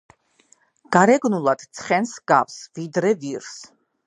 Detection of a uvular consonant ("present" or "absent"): present